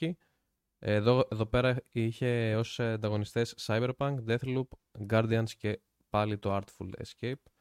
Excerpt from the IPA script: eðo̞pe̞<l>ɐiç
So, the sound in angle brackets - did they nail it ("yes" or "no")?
no